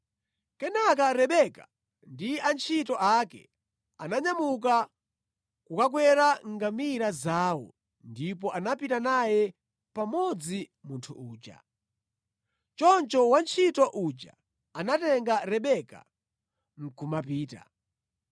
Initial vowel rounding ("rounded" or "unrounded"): unrounded